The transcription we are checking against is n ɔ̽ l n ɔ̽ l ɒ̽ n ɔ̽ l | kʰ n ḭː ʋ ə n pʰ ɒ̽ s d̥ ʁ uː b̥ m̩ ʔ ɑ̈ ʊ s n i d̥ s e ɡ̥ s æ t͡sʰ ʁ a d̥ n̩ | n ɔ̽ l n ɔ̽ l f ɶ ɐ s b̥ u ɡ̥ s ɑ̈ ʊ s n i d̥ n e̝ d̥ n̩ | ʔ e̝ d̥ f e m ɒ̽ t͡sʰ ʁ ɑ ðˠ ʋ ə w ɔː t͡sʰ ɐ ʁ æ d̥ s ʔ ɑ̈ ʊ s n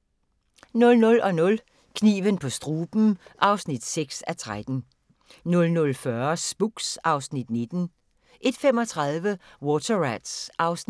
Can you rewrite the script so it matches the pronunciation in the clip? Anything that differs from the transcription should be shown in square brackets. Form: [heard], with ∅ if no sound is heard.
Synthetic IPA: n ɔ̽ l n ɔ̽ l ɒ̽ n ɔ̽ l | kʰ n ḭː ʋ ə n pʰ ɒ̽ s d̥ ʁ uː b̥ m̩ ʔ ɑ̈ ʊ s n i d̥ s e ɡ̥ s æ t͡sʰ ʁ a d̥ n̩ | n ɔ̽ l n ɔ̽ l f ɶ ɐ s b̥ u ɡ̥ s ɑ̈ ʊ s n i d̥ n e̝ d̥ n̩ | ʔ e̝ d̥ f e m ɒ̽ t͡sʰ ʁ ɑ ðˠ ʋ ə w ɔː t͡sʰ ɐ ʁ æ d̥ s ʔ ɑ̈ ʊ s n